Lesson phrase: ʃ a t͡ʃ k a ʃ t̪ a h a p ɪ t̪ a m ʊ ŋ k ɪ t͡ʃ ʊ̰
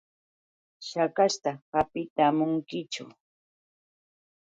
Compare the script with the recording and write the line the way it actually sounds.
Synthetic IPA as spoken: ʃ a k a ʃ t̪ a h a p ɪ t̪ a m ʊ ŋ k ɪ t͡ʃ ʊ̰